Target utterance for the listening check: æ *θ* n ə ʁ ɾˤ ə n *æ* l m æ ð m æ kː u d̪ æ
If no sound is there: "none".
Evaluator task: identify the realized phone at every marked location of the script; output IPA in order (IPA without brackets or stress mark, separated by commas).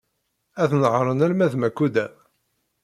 θ, æ